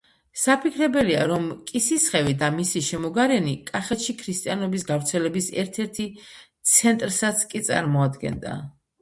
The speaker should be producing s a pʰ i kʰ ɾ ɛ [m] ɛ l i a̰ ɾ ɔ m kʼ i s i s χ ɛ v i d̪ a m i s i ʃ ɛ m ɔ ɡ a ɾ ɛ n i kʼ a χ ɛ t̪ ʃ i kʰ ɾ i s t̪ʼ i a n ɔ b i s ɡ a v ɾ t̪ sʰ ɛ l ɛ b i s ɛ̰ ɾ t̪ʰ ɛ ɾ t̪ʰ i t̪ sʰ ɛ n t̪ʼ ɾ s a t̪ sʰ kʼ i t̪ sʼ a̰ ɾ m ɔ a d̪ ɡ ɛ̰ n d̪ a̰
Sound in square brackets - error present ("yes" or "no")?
yes